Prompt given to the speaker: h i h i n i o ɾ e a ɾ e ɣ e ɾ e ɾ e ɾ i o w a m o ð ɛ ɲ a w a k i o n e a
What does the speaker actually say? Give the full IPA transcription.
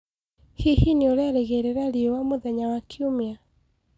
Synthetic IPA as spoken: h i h i n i o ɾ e a ɾ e ɣ e ɾ e ɾ a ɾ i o w a m o ð ɛ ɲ a w a k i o m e a